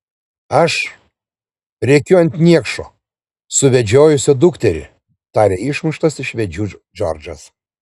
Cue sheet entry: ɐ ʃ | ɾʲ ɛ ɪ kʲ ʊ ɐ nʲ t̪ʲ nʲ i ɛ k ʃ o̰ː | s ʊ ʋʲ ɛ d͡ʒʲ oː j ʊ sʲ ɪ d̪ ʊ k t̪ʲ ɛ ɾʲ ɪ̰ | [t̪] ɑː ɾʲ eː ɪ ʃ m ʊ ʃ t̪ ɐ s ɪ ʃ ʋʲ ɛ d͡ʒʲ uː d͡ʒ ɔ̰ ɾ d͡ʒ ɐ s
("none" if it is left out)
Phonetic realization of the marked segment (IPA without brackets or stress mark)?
t̪